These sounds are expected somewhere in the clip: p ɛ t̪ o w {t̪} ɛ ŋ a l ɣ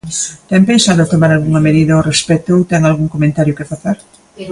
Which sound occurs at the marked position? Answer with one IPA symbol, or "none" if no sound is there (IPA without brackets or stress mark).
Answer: t̪